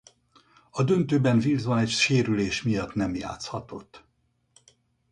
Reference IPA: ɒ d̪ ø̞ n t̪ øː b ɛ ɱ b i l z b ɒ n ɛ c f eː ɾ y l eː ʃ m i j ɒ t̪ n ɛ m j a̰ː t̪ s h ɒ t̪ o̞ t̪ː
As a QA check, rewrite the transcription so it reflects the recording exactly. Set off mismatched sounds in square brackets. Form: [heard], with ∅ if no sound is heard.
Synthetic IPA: ɒ d̪ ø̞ n t̪ øː b ɛ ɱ [v] i l z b ɒ n ɛ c [ʃ] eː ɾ y l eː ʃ m i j ɒ t̪ n ɛ m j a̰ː t̪ s h ɒ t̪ o̞ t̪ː